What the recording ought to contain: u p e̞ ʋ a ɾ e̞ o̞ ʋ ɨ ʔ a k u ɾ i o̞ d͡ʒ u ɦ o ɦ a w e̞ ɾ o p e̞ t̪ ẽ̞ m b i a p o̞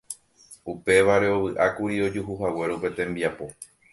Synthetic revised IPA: u p e̞ ʋ a ɾ e̞ o̞ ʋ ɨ ʔ a k u ɾ i o̞ d͡ʒ u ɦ u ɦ a w e̞ ɾ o p e̞ t̪ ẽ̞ m b i a p o̞